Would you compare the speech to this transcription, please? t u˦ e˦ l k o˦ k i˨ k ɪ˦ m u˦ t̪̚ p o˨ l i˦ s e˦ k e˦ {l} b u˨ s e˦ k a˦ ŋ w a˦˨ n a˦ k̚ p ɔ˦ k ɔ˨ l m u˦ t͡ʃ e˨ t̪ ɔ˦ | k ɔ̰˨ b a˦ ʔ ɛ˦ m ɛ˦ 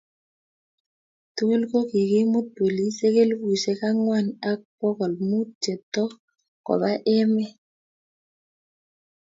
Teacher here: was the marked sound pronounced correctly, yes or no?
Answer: yes